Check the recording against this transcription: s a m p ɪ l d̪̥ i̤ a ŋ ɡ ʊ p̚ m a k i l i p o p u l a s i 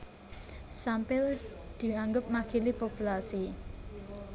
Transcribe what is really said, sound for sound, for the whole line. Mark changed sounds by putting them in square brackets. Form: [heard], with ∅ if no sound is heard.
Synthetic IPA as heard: s a m p ɪ l d̪̥ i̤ a ŋ ɡ ʊ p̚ m a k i l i p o p u l a s i